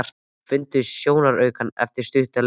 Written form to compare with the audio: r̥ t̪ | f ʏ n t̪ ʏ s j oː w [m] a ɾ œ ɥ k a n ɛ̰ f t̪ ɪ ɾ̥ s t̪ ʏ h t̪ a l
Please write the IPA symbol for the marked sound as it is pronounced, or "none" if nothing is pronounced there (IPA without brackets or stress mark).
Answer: n